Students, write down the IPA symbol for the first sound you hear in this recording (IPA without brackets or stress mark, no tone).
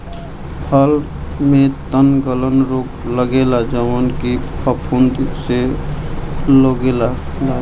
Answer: pʰ